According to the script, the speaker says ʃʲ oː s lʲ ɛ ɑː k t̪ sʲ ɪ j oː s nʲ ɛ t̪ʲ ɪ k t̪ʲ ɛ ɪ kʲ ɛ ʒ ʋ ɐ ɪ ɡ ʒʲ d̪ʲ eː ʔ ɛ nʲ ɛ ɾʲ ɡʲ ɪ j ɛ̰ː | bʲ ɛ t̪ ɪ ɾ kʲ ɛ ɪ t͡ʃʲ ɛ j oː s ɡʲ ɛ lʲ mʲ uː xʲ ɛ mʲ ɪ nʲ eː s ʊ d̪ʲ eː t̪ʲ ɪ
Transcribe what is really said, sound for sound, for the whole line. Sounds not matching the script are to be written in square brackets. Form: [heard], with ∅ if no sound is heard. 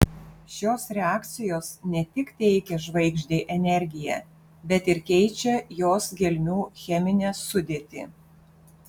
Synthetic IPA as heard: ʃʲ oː s [ɾʲ] ɛ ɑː k t̪ sʲ ɪ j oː s nʲ ɛ t̪ʲ ɪ k t̪ʲ ɛ ɪ kʲ ɛ ʒ ʋ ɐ ɪ ɡ ʒʲ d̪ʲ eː ʔ ɛ nʲ ɛ ɾʲ ɡʲ ɪ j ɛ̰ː | bʲ ɛ t̪ ɪ ɾ kʲ ɛ ɪ t͡ʃʲ ɛ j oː s ɡʲ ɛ lʲ mʲ uː xʲ ɛ mʲ ɪ nʲ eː s ʊ d̪ʲ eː t̪ʲ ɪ